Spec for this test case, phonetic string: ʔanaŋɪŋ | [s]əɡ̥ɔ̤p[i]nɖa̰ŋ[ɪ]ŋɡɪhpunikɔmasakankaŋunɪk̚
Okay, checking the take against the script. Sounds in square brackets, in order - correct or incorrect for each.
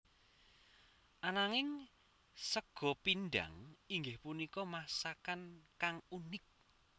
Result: correct, correct, incorrect: i

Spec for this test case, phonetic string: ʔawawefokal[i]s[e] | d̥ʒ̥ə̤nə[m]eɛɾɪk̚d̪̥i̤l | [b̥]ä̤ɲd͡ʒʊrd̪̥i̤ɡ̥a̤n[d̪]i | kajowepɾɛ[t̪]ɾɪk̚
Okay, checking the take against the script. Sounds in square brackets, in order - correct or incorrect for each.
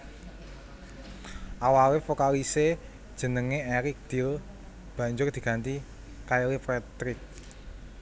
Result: correct, correct, incorrect: ŋ, correct, incorrect: t̪, correct

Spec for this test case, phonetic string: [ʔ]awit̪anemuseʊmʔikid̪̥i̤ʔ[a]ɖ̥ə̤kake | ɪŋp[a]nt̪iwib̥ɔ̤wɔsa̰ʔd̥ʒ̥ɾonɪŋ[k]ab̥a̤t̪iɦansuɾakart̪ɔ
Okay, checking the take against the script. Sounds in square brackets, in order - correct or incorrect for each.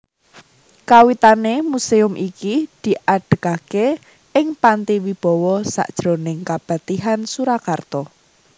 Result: incorrect: k, correct, correct, correct

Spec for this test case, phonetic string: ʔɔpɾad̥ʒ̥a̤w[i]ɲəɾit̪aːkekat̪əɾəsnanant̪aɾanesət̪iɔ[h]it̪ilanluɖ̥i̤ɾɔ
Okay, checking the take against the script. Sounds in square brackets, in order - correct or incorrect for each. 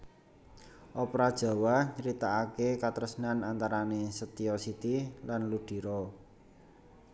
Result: incorrect: a, incorrect: s

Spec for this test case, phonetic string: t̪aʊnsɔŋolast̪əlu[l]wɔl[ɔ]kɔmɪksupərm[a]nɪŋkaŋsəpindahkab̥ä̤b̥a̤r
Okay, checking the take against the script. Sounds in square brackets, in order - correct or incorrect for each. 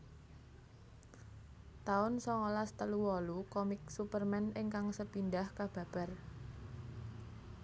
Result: incorrect: none, incorrect: u, incorrect: ɛ

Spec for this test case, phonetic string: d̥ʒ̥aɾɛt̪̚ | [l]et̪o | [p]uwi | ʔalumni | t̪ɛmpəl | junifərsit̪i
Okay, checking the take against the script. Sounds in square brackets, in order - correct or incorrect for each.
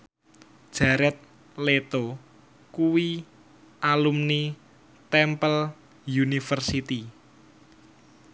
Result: correct, incorrect: k

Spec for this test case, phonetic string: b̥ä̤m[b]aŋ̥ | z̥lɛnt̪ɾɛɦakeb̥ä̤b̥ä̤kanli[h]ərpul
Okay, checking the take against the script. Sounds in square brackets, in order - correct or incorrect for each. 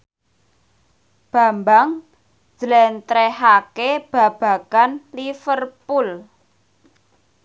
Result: correct, incorrect: f

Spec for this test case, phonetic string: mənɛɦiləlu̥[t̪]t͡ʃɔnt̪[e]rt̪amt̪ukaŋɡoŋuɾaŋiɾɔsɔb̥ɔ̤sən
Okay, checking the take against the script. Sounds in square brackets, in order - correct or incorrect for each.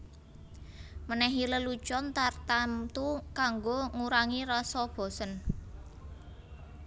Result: incorrect: none, incorrect: a

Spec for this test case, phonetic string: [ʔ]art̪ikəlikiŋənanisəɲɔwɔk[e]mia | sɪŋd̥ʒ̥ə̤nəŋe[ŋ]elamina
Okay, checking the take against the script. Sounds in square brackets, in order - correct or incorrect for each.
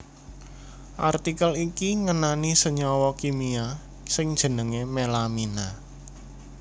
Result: correct, incorrect: i, incorrect: m

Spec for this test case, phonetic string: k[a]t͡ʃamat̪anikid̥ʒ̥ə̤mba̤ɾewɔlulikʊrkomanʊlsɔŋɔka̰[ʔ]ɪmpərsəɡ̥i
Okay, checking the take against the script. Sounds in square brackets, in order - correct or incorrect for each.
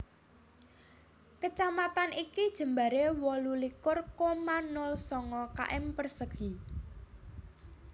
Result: incorrect: ə, correct

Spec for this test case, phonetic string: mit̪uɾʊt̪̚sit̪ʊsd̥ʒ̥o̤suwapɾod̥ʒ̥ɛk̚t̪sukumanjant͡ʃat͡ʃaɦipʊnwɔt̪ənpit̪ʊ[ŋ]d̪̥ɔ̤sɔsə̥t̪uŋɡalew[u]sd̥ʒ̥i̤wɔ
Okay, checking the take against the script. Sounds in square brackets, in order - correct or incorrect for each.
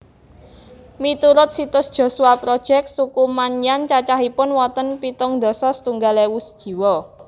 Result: correct, correct

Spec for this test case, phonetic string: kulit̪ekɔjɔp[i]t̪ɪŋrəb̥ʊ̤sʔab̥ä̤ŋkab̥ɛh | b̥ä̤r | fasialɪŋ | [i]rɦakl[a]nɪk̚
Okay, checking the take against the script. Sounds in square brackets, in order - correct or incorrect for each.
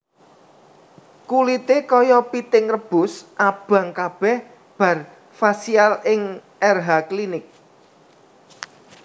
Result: correct, incorrect: ɛ, incorrect: i

